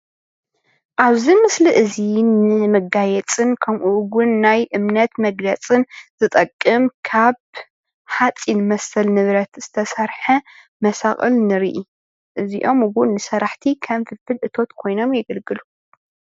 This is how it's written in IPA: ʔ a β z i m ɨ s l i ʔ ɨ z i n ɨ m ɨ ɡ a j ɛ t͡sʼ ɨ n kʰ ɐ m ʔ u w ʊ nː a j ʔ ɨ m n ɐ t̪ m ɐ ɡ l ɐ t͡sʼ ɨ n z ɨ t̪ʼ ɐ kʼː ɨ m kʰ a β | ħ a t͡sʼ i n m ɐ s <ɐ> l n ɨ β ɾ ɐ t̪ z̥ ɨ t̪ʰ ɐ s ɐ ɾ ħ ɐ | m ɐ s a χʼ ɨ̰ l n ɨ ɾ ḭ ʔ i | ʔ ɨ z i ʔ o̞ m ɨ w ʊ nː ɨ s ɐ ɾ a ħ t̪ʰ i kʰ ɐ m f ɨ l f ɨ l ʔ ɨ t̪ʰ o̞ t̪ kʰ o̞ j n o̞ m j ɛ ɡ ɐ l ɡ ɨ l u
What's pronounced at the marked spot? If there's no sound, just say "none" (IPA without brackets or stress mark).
ɐ